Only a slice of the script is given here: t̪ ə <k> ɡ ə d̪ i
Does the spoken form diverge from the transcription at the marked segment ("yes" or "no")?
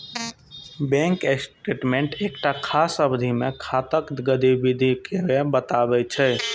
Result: no